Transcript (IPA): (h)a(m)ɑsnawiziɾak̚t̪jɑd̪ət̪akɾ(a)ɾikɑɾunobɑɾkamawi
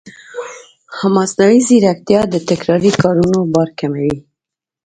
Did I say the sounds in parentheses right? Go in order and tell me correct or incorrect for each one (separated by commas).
correct, correct, incorrect